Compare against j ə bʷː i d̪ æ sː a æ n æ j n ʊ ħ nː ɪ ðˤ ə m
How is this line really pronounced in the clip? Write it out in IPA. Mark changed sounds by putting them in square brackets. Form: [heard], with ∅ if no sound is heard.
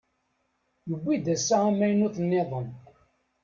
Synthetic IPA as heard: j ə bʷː i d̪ æ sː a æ [m] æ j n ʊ [θ] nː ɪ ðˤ ə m